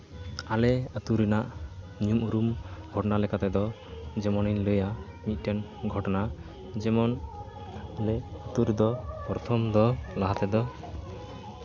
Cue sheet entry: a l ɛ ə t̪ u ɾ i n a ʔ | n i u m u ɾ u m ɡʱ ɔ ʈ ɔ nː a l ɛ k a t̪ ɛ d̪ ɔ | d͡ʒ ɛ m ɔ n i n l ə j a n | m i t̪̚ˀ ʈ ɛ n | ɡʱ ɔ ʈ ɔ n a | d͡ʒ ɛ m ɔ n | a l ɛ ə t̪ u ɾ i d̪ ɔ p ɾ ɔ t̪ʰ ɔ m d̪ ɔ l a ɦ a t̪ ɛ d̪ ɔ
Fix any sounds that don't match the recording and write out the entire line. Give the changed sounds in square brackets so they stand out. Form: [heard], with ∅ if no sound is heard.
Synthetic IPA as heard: a l ɛ ə t̪ u ɾ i n a ʔ | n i u m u ɾ u m ɡʱ ɔ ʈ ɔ [n] a l ɛ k a t̪ ɛ d̪ ɔ | d͡ʒ ɛ m ɔ n i n l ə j a [∅] | m i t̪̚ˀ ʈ ɛ n | ɡʱ ɔ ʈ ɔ n a | d͡ʒ ɛ m ɔ n | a l ɛ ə t̪ u ɾ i d̪ ɔ p ɾ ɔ t̪ʰ ɔ m d̪ ɔ l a ɦ a t̪ ɛ d̪ ɔ